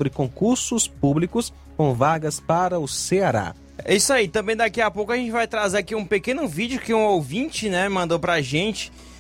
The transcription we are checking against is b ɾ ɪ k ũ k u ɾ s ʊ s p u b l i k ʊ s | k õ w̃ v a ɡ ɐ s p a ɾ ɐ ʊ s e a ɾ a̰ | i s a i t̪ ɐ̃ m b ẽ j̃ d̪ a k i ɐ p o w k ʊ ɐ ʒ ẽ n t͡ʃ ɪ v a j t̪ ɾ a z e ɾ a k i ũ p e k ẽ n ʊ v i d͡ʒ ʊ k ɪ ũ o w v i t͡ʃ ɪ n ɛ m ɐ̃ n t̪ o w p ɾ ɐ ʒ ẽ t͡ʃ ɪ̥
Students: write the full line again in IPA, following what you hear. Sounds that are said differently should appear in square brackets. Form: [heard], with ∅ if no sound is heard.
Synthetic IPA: b ɾ ɪ k [õ] k u ɾ s ʊ s p u b l i k ʊ s | k õ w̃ v a ɡ ɐ s p a ɾ ɐ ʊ s e a ɾ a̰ | i s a i t̪ ɐ̃ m b ẽ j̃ d̪ a k i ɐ p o w k ʊ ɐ ʒ ẽ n t͡ʃ ɪ v a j t̪ ɾ a z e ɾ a k i ũ p e k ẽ n ʊ v i d͡ʒ ʊ k ɪ ũ o w v [ĩ] t͡ʃ ɪ n ɛ m ɐ̃ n [d̪] o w p ɾ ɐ ʒ ẽ t͡ʃ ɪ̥